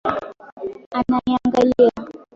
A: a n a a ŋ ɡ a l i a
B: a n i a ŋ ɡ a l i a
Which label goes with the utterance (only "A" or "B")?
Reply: A